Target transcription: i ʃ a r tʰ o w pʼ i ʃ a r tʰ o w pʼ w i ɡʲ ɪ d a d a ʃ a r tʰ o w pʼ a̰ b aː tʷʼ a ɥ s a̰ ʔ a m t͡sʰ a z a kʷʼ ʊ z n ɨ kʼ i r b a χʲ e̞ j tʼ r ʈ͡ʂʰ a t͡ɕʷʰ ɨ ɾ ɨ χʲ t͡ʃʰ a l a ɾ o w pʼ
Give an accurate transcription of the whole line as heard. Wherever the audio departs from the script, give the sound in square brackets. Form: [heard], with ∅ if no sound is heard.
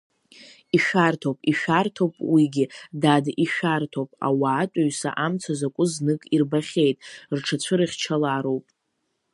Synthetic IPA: i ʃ a r tʰ o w pʼ i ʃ a r tʰ o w pʼ w i ɡʲ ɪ d a d [i] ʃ a r tʰ o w pʼ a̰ [w] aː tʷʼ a ɥ s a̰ ʔ a m t͡sʰ a z a kʷʼ ʊ z n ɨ kʼ i r b a χʲ e̞ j tʼ r ʈ͡ʂʰ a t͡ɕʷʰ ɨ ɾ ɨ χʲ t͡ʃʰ a l a ɾ o w pʼ